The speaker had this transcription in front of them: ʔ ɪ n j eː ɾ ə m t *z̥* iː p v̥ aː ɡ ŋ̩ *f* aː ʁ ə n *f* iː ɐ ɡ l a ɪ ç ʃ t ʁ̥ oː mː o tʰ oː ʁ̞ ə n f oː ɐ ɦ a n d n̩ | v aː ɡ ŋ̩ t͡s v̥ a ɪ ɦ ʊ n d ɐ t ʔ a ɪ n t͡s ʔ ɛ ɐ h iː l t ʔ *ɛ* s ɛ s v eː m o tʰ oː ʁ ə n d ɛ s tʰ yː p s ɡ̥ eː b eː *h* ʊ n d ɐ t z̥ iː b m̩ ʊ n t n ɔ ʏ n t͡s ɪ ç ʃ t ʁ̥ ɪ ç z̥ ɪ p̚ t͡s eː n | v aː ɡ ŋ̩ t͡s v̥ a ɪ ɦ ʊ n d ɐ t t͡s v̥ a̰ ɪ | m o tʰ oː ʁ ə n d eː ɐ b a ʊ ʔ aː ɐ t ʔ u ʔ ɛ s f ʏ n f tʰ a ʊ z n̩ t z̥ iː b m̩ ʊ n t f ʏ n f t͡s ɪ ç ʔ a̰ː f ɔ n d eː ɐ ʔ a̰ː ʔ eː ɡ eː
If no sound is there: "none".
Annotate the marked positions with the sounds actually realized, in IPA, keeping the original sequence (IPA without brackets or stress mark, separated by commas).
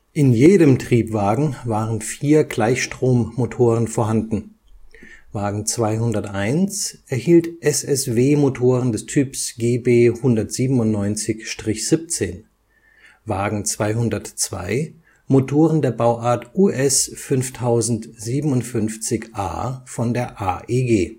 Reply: ʁ̥, v, f, ɛ, h